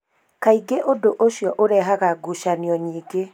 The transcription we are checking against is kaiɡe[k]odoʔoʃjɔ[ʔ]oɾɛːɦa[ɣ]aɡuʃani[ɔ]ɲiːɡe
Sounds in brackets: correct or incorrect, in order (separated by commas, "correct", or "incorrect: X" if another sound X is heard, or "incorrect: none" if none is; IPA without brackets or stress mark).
incorrect: ʔ, correct, correct, correct